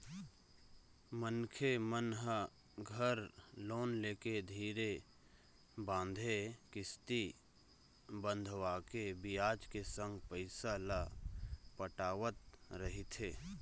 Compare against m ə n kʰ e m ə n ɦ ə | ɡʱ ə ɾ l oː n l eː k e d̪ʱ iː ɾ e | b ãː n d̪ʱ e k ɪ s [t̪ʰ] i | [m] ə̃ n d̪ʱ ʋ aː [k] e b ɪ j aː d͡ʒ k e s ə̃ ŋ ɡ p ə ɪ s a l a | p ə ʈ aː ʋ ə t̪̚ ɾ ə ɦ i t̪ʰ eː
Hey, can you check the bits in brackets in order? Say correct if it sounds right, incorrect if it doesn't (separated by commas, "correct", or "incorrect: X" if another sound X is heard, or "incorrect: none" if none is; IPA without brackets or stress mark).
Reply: incorrect: t̪, incorrect: b, correct